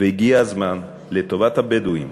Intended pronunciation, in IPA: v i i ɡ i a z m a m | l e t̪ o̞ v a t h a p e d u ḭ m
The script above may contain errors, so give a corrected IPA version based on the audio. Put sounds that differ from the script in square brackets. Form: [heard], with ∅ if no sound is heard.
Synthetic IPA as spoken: v [e] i ɡ i a z m a [n] | l e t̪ o̞ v a t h a [b] e d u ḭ m